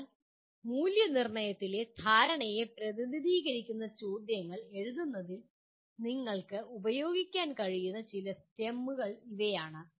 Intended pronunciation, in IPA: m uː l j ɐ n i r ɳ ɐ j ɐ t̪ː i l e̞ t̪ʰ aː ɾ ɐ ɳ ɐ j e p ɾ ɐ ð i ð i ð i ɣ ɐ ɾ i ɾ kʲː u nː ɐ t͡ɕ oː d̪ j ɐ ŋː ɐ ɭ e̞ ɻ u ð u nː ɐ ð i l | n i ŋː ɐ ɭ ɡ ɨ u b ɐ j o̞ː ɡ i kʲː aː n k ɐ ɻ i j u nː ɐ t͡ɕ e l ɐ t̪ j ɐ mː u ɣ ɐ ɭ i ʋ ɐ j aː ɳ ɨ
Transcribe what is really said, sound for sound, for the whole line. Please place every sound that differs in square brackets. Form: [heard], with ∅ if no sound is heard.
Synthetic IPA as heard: m uː l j ɐ n i r ɳ ɐ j ɐ t̪ː i l e̞ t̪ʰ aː ɾ ɐ ɳ ɐ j e p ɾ ɐ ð i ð i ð [iː] ɣ ɐ ɾ i [∅] kʲː u nː ɐ t͡ɕ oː d̪ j ɐ ŋː ɐ ɭ e̞ ɻ u ð u nː ɐ ð i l | n i ŋː ɐ ɭ [k] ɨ u b ɐ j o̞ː ɡ i kʲː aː n k ɐ ɻ i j u nː ɐ t͡ɕ [i] l ɐ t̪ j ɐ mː u ɣ ɐ ɭ i ʋ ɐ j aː ɳ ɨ